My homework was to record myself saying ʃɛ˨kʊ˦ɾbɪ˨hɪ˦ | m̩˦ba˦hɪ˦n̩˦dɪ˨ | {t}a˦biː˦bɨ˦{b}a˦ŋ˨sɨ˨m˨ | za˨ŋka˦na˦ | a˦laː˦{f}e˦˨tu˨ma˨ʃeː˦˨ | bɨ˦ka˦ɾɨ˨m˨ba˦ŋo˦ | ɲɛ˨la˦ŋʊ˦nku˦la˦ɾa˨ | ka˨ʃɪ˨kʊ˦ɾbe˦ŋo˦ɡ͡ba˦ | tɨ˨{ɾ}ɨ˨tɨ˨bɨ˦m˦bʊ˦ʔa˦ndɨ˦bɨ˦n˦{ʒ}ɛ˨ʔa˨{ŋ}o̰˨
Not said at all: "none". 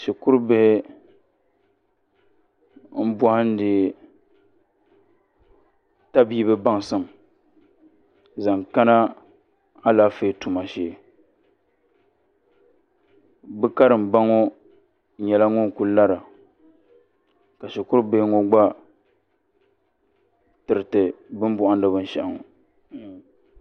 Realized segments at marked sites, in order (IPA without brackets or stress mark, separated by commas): t, b, f, ɾ, ʃ, ŋ